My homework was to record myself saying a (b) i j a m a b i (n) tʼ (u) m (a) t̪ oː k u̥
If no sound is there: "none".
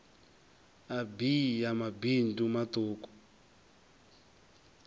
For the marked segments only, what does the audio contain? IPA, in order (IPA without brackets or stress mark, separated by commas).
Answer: b, n, u, a